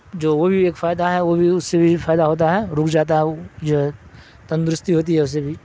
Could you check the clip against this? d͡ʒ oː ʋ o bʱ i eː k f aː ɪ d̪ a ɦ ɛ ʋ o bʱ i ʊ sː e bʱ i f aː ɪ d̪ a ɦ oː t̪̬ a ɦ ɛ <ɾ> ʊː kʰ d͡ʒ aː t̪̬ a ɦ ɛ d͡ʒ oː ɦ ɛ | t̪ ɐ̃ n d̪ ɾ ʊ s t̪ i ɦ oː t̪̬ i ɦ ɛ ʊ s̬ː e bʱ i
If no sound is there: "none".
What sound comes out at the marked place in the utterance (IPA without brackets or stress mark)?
ɾ